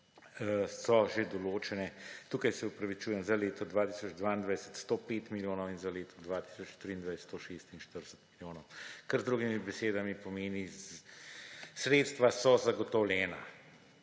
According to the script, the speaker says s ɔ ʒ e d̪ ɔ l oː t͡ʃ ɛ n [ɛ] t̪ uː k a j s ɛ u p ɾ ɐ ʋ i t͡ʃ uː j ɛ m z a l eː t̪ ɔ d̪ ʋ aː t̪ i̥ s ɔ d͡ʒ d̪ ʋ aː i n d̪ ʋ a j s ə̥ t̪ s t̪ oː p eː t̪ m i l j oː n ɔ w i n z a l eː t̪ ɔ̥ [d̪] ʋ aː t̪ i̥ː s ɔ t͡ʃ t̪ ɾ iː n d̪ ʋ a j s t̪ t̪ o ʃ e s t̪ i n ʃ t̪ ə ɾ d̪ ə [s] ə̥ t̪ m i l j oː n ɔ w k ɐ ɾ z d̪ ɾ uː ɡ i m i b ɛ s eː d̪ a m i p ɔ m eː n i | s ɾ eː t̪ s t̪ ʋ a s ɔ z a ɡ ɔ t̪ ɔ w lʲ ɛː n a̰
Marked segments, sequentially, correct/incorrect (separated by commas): correct, correct, correct